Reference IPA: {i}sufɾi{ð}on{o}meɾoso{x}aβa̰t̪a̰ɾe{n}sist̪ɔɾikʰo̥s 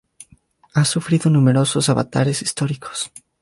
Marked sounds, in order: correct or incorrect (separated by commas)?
incorrect, correct, incorrect, incorrect, incorrect